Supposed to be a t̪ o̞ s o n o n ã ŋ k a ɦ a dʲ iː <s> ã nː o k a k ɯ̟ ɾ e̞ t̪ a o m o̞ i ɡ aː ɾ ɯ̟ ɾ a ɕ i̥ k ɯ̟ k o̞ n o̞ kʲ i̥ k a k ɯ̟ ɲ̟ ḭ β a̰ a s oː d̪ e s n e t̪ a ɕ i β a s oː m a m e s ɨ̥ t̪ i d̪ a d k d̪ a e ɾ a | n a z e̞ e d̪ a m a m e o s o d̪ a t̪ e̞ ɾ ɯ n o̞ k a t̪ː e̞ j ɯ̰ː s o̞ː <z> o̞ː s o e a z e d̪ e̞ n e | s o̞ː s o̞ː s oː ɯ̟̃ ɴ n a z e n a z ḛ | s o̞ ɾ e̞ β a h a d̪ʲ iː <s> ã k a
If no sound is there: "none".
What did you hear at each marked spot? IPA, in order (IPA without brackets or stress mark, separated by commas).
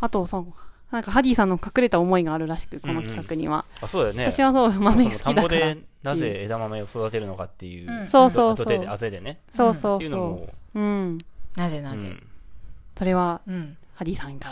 s, s, s